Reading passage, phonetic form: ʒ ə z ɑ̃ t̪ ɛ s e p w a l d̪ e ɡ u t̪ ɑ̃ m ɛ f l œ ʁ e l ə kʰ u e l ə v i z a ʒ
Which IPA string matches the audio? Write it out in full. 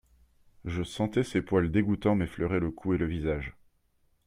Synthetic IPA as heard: ʒ ə s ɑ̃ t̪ ɛ s e p w a l d̪ e ɡ u t̪ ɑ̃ m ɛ f l œ ʁ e l ə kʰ u e l ə v i z a ʒ